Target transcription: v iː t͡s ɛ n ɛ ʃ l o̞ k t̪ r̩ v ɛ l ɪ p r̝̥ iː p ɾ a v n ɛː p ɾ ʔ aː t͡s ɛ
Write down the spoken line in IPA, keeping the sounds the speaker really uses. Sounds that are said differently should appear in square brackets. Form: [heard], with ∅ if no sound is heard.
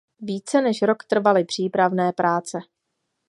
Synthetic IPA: v iː t͡s ɛ n ɛ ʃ [ɾ] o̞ k t̪ r̩ v [a] l ɪ p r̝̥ iː p ɾ a v n ɛː p ɾ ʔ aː t͡s ɛ